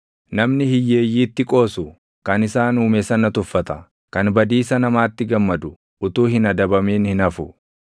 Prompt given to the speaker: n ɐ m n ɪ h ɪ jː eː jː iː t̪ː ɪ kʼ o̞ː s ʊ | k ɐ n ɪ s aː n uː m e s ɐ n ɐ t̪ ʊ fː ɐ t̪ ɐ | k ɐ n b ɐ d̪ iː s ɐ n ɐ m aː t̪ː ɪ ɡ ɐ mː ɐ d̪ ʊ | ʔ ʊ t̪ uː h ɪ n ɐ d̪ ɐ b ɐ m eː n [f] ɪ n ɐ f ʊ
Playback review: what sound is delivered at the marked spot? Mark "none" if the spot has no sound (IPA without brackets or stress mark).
h